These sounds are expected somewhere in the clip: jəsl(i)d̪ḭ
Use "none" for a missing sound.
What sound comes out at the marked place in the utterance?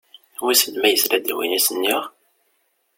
æ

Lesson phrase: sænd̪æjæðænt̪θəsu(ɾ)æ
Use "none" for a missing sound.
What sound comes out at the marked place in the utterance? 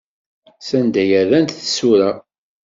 ɾ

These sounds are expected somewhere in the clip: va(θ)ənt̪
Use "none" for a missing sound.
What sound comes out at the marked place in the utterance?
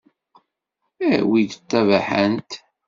ħ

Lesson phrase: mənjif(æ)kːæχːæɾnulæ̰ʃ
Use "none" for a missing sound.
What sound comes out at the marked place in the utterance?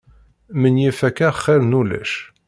æ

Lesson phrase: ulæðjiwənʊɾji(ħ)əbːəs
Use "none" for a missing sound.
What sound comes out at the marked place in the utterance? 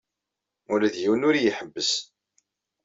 ħ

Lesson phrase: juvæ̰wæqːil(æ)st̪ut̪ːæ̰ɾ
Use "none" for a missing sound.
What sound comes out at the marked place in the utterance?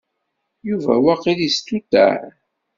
i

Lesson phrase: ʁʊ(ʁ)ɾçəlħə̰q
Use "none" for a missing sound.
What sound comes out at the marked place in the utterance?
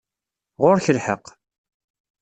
none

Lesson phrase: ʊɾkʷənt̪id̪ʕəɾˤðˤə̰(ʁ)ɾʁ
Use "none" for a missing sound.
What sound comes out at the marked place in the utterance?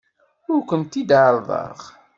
none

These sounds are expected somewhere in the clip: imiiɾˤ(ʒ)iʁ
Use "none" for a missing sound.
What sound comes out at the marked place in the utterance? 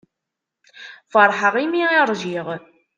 ʒ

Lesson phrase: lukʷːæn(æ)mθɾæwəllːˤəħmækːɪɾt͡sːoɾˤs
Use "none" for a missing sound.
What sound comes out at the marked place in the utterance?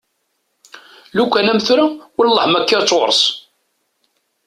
æ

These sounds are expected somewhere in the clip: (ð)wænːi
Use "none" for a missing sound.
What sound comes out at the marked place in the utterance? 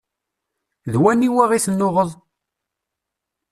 ð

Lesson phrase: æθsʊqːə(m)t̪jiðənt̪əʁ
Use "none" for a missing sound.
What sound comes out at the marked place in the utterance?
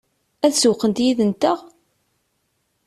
n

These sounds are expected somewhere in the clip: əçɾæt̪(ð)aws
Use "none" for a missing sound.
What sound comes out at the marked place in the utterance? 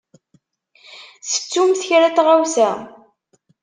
ʁ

